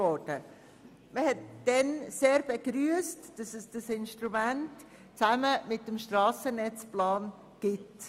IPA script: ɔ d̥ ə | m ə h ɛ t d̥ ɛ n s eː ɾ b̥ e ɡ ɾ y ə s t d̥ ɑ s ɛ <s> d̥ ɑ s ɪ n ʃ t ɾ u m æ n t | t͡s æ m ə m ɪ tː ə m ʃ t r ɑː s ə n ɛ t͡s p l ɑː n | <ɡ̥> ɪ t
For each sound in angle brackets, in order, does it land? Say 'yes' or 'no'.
yes, yes

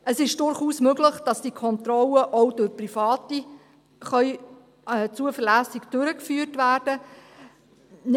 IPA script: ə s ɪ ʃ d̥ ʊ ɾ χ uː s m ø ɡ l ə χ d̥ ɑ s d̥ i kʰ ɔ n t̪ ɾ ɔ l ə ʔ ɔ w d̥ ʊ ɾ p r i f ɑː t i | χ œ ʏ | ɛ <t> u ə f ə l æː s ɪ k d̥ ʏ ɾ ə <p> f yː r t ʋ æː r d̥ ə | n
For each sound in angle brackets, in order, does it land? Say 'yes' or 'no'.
no, no

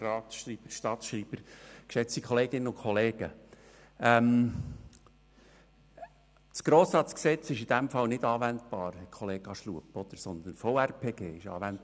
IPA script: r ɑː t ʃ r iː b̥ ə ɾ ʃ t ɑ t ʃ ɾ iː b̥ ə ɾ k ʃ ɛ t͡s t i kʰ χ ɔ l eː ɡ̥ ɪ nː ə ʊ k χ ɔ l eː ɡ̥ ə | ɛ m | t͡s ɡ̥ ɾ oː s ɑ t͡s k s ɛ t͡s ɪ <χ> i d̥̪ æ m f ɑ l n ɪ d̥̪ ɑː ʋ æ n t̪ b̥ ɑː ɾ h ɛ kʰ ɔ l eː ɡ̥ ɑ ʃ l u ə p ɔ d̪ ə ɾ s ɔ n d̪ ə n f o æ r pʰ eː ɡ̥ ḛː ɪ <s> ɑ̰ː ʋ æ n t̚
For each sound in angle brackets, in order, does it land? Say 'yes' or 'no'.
no, no

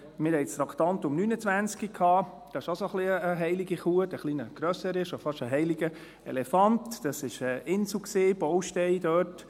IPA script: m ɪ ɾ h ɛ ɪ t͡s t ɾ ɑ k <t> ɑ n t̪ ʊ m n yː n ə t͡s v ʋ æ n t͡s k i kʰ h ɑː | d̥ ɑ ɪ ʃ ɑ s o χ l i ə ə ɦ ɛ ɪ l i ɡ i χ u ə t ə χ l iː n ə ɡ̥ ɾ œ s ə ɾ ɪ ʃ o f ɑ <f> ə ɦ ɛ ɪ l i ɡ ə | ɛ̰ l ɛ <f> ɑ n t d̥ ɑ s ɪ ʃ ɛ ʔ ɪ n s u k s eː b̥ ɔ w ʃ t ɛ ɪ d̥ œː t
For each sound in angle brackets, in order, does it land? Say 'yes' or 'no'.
yes, no, yes

